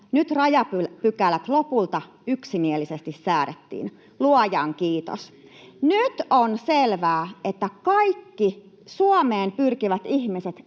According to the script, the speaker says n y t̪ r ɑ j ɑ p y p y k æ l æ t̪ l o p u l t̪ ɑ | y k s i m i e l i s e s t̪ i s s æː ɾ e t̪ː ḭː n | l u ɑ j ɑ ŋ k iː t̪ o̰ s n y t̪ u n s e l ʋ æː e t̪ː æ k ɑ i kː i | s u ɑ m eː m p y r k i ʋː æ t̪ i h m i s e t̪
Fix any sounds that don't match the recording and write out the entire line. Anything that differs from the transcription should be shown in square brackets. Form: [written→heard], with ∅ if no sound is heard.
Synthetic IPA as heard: n y t̪ r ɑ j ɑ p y p y k æ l æ t̪ l o p u l t̪ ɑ | y k s i m i e l i s e s t̪ i s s æː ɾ e t̪ː ḭː n | l u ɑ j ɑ ŋ k iː t̪ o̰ s n y t̪ [u→o] n s e l ʋ æː e t̪ː æ k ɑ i kː i | s u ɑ m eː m p y r k i [ʋː→ʋ] æ t̪ i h m i s e t̪

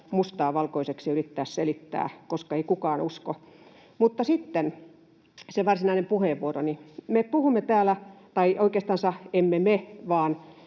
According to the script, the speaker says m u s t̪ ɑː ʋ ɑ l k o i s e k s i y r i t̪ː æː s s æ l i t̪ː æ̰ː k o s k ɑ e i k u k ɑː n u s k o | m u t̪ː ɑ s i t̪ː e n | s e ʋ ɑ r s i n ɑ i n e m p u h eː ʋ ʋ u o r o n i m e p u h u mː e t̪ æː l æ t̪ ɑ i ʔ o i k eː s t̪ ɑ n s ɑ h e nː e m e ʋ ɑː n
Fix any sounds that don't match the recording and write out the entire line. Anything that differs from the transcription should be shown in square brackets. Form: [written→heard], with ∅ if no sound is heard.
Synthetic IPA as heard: m u s t̪ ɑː ʋ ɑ l k o i s e k s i y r i t̪ː æː s s [æ→e] l i t̪ː æ̰ː k o s k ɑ e i k u k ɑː n u s k o | m u t̪ː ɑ s i t̪ː e n | s e ʋ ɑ r s i n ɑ i n e m p u h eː ʋ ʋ u o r o n i m e p u h u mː e t̪ æː l æ t̪ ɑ i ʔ o i k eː s t̪ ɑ n s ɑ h e [nː→mː] e m e ʋ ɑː n

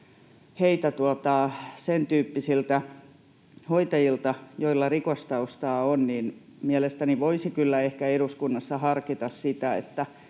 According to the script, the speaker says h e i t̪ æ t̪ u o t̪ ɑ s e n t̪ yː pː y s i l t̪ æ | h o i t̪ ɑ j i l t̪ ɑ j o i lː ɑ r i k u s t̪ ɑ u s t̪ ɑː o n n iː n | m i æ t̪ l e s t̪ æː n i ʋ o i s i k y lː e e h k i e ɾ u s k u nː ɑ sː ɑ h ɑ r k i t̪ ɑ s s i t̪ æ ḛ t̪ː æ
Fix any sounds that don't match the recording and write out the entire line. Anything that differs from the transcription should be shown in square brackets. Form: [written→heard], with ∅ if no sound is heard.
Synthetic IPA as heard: h e i t̪ æ t̪ u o t̪ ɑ s e n t̪ yː pː [y→i] s i l t̪ æ | h o i t̪ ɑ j i l t̪ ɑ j o i lː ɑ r i k [u→o] s t̪ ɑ u s t̪ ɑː o n n iː n | m i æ [t̪→∅] l e s t̪ [æː→æ] n i ʋ o i s i k y lː [e→æ] e h k [i→æ] e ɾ u s k u nː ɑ sː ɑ h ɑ r k i t̪ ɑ s s i t̪ æ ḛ t̪ː æ

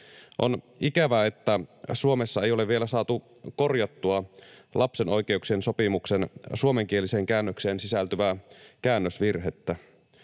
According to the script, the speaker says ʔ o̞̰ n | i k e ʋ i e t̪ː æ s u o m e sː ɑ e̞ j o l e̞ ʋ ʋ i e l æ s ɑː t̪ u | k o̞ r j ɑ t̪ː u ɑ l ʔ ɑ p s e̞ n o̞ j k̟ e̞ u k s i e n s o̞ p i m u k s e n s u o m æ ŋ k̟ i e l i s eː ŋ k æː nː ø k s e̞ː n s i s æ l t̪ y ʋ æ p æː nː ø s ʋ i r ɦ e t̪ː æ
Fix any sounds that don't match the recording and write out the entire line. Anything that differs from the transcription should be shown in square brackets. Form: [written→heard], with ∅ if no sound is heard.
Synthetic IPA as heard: ʔ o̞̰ n | i k [e→æ] ʋ [i→æ] e t̪ː æ s u o m e sː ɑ e̞ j o l e̞ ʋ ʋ i e l æ s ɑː t̪ u | k o̞ r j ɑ t̪ː u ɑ l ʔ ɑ p s e̞ n o̞ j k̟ e̞ u k s i e n s o̞ p i m u k s e n s u o m [æ→e] ŋ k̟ i e l i s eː ŋ k æː nː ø k s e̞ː n s i s æ l t̪ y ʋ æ [p→k] æː nː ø s ʋ i r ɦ e t̪ː æ

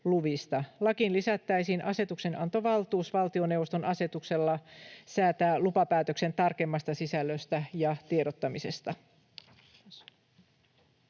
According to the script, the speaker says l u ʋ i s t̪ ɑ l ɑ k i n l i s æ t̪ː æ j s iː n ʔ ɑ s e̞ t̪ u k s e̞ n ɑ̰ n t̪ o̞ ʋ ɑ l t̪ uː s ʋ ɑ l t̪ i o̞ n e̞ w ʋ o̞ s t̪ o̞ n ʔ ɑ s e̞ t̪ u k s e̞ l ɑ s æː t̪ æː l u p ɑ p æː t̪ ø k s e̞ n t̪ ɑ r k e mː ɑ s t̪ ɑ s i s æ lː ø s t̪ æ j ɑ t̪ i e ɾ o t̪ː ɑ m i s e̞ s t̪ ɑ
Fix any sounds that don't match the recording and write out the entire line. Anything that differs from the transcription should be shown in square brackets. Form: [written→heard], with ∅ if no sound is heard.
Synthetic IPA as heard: l u ʋ i s t̪ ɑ l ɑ k i n l i s æ t̪ː æ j s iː n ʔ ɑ s e̞ t̪ u k s e̞ n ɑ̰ n t̪ o̞ ʋ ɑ l t̪ uː s ʋ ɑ l t̪ i o̞ n e̞ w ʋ o̞ s t̪ o̞ n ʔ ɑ s e̞ t̪ u k s e̞ [l→lː] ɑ s æː t̪ æː l u p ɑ p æː t̪ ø k s e̞ n t̪ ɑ r k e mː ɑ s t̪ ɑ s i s æ lː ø s t̪ æ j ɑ t̪ i e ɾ o t̪ː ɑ m i s e̞ s t̪ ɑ

